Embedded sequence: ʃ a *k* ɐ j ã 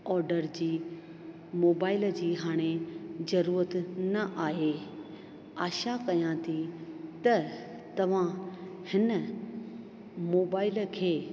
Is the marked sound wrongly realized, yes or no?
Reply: no